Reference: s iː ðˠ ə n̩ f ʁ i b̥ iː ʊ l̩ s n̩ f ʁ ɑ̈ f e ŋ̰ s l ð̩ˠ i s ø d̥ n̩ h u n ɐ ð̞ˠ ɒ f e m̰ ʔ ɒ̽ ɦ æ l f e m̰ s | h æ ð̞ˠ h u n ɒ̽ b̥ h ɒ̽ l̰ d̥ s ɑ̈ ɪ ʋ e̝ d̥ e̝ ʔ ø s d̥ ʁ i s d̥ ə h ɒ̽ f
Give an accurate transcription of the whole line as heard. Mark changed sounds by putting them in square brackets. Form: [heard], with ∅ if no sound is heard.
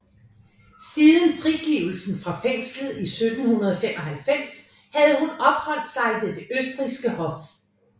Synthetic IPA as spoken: s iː ðˠ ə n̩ f ʁ i [ɡ̥] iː ʊ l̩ s n̩ f ʁ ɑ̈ f e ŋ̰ s l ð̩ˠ i s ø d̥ n̩ h u n ɐ ð̞ˠ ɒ f e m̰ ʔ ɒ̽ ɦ æ l f e m̰ s | h æ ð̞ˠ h u n ɒ̽ b̥ h ɒ̽ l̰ d̥ s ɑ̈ ɪ ʋ e̝ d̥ e̝ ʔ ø s d̥ ʁ i s [ɡ̥] ə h ɒ̽ f

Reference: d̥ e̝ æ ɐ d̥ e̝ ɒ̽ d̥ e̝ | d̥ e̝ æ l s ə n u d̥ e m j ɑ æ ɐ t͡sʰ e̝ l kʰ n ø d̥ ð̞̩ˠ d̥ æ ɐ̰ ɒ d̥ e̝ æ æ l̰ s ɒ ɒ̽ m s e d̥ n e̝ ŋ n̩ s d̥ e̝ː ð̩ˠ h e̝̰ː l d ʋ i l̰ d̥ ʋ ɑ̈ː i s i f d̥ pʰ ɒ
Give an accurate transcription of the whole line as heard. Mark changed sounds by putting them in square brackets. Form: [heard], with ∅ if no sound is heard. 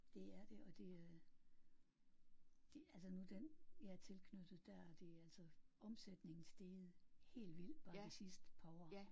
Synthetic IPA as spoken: d̥ e̝ æ ɐ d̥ e̝ ɒ̽ d̥ e̝ | d̥ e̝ æ l s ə n u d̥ e [n] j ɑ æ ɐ t͡sʰ e̝ l kʰ n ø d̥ ð̞̩ˠ d̥ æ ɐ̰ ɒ d̥ e̝ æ æ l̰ s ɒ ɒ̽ m s e d̥ n e̝ ŋ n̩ s d̥ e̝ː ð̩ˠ h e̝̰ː l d ʋ i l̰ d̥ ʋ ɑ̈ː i s i [s] d̥ pʰ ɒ

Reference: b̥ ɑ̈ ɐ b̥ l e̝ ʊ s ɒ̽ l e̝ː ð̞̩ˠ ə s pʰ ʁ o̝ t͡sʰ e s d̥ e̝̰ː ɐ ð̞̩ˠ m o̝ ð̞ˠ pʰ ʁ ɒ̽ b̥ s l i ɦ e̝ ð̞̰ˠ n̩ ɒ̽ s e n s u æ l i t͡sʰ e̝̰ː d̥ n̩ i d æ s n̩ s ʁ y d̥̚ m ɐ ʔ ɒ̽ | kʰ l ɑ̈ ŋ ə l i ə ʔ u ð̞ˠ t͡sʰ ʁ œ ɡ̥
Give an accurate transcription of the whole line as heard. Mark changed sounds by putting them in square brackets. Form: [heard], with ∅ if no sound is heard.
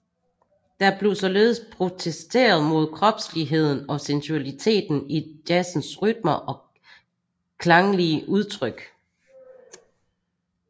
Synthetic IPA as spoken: [d̥] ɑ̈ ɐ b̥ l e̝ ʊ s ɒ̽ l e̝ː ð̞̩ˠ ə s pʰ ʁ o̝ t͡sʰ e s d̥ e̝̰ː ɐ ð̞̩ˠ m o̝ ð̞ˠ [kʰ] ʁ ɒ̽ b̥ s l i ɦ e̝ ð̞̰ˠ n̩ ɒ̽ s e n s u æ l i t͡sʰ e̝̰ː d̥ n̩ i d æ s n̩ s ʁ y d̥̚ m ɐ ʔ ɒ̽ | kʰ l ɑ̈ ŋ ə l i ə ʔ u ð̞ˠ t͡sʰ ʁ œ ɡ̥

